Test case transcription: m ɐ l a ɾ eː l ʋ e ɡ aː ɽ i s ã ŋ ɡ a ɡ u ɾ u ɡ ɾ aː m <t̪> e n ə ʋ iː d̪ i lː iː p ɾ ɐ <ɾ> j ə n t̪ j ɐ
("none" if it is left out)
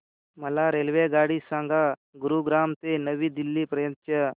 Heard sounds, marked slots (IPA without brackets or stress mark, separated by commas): t̪, none